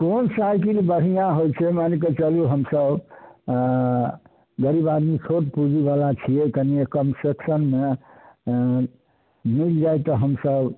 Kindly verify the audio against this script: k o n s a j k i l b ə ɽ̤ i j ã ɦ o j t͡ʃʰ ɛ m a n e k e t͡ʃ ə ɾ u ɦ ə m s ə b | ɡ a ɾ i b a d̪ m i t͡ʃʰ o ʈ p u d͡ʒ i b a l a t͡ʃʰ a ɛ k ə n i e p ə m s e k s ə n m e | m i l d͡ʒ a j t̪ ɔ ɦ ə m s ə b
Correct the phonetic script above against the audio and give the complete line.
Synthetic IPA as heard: k o n s a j k i l b ə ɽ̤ i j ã ɦ o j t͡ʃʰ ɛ m a n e k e t͡ʃ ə l u ɦ ə m s ə b | ɡ ə ɾ i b a d̪ m i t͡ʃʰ o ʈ p u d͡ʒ i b a l a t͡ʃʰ i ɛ k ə n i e k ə m s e k s ə n m e | m i l d͡ʒ a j t̪ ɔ ɦ ə m s ə b